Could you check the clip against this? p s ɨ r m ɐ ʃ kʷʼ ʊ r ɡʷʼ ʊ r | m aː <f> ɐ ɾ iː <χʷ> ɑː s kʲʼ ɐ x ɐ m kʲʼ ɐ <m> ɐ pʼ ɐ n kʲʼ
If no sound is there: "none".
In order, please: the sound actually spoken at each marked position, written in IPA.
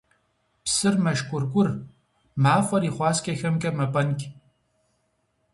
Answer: f, χʷ, m

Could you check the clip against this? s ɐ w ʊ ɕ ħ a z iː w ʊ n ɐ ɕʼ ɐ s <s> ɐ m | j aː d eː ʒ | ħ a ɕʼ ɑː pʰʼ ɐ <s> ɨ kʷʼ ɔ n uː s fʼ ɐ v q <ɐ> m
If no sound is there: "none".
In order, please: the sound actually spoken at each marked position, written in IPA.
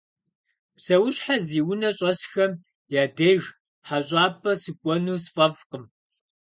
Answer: x, s, ə

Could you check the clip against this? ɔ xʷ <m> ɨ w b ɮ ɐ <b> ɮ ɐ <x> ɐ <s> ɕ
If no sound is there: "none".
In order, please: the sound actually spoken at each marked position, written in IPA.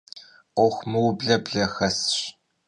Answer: m, b, x, s

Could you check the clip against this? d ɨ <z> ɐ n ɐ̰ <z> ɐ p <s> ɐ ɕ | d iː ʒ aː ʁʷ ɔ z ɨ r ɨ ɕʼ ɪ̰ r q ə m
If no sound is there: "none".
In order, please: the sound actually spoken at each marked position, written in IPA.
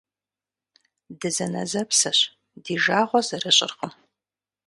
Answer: z, z, s

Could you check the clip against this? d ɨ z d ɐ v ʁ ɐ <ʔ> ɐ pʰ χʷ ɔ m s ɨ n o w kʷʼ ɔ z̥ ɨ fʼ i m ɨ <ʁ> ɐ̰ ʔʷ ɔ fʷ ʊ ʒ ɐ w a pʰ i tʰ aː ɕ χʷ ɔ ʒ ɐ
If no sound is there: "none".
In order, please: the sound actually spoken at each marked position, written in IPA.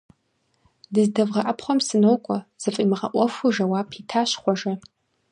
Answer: ʔ, ʁ

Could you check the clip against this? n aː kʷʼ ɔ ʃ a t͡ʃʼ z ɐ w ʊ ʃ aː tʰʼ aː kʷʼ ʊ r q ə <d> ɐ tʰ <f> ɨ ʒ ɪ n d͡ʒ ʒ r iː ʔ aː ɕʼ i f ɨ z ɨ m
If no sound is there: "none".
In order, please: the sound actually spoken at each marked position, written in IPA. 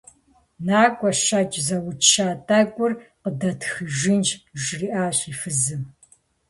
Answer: d, x

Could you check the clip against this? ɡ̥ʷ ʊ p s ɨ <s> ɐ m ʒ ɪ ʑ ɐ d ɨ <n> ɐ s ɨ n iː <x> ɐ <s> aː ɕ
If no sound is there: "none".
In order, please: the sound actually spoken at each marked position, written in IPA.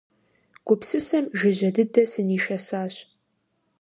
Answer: s, d, ʃ, s

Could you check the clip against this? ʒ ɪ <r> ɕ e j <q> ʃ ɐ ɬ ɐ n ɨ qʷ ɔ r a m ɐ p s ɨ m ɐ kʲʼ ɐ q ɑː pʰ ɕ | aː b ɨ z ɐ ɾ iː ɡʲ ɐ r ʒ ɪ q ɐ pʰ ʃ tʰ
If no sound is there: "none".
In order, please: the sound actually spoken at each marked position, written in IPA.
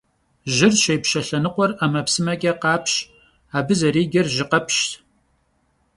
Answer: r, p

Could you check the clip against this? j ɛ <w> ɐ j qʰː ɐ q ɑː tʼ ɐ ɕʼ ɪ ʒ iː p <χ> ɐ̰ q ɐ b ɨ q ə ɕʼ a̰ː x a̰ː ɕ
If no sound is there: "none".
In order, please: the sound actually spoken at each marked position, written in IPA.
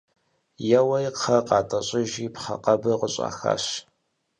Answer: w, χ

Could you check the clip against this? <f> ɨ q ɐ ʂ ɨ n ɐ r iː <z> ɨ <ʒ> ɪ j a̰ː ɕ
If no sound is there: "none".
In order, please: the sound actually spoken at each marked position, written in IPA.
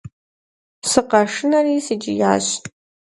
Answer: s, s, d͡ʒ

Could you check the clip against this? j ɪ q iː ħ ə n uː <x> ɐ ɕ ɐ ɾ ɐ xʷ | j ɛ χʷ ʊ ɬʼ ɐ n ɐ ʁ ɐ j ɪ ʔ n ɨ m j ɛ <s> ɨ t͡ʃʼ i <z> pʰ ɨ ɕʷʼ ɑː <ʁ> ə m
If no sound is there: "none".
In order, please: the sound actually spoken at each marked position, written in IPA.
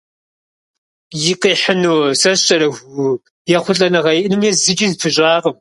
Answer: s, z, z, ʁ

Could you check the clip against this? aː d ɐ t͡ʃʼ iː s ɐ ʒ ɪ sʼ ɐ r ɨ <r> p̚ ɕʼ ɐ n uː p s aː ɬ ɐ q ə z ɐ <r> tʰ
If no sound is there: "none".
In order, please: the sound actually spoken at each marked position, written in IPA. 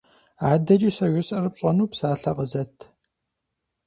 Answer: none, none

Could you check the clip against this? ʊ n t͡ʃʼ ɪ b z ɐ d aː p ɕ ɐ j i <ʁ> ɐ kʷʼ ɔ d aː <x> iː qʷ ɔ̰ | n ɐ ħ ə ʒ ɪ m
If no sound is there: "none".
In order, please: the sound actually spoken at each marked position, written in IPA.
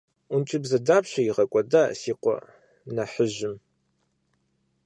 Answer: ʁ, s

